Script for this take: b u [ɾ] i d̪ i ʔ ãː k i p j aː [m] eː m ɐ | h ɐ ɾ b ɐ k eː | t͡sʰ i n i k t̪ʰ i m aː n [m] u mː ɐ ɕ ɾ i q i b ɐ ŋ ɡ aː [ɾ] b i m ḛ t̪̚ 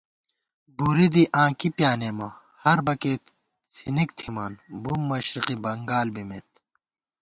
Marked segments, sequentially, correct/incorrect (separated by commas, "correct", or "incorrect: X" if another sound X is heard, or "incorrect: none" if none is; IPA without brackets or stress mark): correct, incorrect: n, incorrect: b, incorrect: l